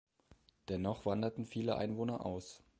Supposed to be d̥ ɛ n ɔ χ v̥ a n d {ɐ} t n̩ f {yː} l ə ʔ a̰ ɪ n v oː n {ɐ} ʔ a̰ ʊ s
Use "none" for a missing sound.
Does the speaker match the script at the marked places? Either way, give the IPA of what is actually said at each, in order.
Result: ɐ, iː, ɐ

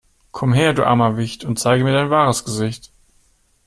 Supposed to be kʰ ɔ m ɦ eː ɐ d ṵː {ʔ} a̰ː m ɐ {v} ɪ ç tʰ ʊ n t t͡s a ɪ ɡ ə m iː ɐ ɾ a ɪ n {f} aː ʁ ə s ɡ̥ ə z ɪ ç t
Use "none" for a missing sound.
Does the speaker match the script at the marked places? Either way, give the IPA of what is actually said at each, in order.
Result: ʔ, v, v

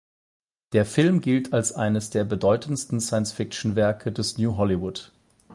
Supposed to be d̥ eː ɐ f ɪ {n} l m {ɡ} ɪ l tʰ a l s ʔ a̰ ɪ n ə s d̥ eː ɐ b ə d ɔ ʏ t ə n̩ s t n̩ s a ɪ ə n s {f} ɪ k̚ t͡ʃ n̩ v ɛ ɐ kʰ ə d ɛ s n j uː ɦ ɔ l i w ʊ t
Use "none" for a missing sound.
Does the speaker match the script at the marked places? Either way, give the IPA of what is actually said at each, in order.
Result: none, ɡ, f

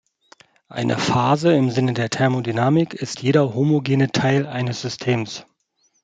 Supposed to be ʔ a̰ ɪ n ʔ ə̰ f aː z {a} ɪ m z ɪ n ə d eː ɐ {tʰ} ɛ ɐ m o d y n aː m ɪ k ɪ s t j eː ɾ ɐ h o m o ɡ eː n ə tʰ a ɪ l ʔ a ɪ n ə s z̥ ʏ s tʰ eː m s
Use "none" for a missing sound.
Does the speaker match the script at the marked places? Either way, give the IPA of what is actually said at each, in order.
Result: ə, tʰ

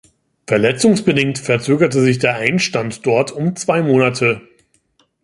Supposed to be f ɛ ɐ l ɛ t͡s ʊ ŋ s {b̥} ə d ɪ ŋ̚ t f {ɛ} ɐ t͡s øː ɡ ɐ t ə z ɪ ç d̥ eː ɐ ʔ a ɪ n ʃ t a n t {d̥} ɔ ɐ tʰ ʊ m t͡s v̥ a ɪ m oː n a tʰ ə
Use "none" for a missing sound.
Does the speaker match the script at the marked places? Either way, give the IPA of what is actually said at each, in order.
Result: b̥, ɛ, d̥

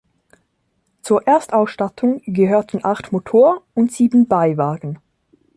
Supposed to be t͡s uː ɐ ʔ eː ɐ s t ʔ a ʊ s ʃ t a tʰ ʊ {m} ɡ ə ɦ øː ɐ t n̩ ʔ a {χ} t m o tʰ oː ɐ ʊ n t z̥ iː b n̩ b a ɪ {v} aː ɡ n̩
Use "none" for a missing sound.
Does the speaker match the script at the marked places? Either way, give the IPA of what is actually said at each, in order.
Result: ŋ, χ, v

